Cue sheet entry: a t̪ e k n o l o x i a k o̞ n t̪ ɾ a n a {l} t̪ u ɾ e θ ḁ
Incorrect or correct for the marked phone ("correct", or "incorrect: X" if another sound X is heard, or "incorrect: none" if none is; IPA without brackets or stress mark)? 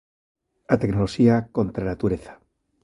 incorrect: none